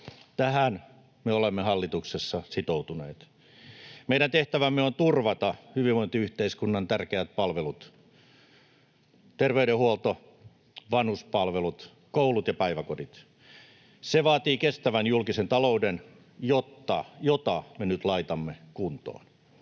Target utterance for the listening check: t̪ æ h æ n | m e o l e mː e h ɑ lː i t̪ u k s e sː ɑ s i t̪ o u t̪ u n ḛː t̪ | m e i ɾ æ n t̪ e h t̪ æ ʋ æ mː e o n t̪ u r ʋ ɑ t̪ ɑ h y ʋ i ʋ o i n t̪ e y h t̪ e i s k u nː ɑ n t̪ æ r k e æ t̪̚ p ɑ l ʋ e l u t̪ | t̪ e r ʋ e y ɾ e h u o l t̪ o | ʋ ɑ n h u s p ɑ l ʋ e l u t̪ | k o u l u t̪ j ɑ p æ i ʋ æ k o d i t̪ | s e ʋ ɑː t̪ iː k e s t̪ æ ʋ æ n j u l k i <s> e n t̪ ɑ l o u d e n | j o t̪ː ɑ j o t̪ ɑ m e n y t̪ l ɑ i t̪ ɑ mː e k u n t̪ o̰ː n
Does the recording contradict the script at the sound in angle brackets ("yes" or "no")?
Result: no